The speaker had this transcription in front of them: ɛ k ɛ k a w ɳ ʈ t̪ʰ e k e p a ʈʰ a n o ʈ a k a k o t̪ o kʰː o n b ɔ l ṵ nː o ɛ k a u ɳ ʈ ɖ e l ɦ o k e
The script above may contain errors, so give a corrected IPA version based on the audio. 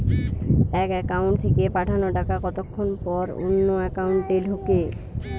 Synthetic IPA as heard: ɛ k ɛ k a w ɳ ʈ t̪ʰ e k e p a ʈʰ a n o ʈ a k a k ɔ t̪ o kʰː o n p ɔ ɾ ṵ nː o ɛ k a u ɳ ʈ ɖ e l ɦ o k e